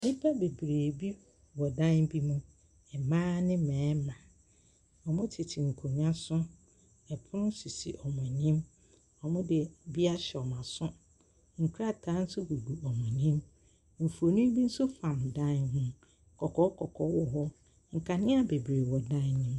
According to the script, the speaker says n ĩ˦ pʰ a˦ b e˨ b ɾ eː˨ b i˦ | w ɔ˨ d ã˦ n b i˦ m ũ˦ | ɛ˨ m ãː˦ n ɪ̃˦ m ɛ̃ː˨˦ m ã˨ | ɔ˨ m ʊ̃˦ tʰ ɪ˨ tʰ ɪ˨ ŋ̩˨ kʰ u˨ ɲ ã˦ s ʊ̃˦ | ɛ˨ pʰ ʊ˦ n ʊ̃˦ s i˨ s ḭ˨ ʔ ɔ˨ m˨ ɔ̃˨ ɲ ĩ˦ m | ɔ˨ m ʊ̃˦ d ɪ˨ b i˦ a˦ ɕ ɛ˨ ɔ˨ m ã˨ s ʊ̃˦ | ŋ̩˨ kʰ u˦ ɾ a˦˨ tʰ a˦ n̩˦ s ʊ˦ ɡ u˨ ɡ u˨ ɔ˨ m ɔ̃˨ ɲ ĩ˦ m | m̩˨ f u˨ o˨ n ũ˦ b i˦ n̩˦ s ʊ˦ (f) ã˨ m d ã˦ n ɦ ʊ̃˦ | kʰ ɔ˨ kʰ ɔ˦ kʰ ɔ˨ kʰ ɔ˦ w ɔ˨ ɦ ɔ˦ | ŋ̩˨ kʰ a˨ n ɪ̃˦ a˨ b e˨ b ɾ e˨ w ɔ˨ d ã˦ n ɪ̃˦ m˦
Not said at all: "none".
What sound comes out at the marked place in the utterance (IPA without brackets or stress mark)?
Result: f